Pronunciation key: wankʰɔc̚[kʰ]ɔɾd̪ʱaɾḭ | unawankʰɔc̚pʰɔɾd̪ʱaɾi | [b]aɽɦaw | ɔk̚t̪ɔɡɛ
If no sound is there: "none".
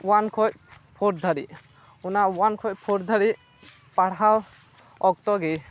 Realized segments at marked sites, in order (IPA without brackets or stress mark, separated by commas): pʰ, p